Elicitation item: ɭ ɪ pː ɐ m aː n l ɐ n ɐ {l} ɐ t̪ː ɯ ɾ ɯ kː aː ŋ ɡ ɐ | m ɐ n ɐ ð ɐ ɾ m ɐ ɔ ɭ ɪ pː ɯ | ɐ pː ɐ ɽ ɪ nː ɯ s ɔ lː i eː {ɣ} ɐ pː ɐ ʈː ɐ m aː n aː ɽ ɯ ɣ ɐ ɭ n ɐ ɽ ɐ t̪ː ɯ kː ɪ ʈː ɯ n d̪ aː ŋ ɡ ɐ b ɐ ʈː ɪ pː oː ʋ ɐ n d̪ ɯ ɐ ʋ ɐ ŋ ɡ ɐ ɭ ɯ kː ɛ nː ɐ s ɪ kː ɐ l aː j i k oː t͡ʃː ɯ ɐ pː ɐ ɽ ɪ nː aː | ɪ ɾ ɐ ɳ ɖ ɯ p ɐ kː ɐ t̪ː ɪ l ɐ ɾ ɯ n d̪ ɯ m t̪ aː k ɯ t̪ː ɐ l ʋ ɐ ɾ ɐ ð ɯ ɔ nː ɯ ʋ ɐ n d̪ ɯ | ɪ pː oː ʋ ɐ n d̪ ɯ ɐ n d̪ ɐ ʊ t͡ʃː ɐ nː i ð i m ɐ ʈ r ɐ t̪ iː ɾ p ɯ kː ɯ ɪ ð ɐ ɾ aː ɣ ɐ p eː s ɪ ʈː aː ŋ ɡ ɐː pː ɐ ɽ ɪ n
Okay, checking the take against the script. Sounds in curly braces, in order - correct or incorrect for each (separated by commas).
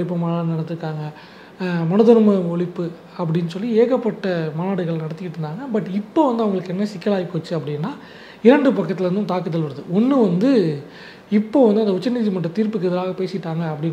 incorrect, correct